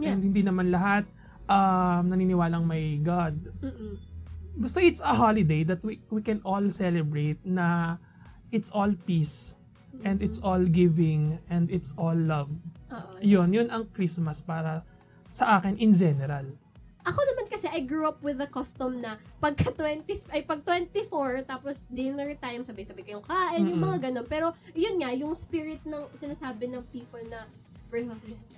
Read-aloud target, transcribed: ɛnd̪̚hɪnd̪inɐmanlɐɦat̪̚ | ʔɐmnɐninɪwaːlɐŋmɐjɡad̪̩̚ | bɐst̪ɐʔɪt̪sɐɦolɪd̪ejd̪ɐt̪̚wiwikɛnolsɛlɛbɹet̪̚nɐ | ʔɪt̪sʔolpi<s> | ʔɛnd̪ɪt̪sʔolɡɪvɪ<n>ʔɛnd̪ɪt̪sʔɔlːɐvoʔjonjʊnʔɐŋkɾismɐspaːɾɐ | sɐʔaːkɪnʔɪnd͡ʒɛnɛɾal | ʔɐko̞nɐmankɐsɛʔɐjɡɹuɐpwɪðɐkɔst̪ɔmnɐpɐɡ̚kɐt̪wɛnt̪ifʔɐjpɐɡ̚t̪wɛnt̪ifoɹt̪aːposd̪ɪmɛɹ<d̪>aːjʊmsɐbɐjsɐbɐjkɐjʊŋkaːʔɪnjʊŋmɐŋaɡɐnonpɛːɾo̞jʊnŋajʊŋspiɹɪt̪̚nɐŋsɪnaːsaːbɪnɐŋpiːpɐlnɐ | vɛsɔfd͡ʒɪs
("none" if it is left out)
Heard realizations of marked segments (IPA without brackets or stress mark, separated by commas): s, ŋ, t̪